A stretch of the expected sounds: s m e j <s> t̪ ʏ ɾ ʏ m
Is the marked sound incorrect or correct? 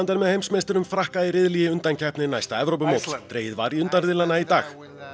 correct